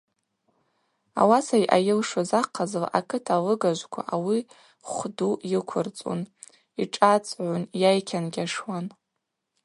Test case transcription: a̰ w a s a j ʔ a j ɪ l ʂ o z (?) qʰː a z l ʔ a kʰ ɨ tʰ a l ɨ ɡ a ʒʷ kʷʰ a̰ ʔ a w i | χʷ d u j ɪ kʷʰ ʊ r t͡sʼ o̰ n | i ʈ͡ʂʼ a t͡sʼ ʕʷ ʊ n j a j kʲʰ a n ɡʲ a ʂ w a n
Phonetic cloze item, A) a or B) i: A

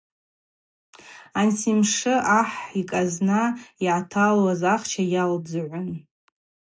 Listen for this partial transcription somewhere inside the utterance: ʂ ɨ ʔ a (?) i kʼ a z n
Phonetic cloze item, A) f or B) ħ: B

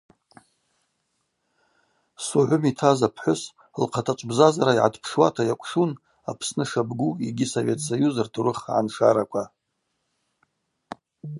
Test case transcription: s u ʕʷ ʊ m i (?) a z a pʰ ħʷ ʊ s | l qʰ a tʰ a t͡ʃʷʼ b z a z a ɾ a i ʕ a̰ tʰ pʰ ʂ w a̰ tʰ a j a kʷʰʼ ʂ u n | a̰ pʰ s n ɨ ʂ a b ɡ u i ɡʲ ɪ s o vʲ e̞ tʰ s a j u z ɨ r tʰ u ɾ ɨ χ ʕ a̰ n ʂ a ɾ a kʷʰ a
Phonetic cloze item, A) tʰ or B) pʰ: A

